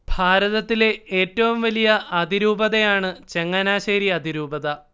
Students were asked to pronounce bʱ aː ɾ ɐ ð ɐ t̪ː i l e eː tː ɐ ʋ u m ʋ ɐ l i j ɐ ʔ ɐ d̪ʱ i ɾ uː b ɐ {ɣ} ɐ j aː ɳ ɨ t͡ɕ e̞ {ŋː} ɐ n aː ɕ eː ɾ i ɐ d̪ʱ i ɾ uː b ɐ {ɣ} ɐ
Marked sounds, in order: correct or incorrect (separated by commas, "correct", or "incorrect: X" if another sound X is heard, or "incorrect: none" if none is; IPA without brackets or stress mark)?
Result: incorrect: ð, correct, incorrect: ð